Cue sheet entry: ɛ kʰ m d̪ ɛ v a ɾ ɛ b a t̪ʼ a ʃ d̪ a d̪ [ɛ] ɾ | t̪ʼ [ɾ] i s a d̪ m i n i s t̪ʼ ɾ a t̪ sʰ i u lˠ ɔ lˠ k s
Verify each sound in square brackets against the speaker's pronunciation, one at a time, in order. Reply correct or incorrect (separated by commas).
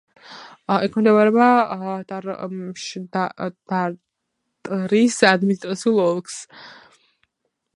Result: incorrect, correct